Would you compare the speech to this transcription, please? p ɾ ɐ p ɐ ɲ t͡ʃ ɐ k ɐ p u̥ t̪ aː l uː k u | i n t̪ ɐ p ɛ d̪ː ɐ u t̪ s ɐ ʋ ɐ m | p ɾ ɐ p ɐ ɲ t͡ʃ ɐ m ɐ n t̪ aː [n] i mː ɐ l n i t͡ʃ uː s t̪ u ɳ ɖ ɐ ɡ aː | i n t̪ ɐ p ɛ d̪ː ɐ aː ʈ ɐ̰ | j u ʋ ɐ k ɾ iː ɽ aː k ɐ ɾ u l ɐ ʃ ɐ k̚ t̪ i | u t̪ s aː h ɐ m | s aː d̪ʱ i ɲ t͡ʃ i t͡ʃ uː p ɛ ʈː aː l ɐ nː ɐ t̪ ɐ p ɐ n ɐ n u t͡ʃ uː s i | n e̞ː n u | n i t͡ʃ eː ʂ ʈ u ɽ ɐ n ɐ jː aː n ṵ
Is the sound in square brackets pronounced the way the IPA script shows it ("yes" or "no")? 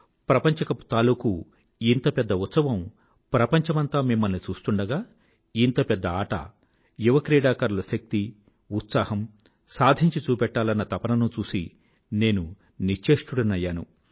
no